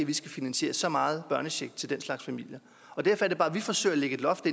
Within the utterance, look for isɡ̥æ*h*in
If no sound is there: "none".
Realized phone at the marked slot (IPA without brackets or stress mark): f